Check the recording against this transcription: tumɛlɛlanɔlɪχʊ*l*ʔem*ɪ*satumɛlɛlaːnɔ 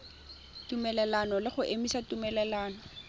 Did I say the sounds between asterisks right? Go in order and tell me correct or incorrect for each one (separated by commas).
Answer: incorrect, incorrect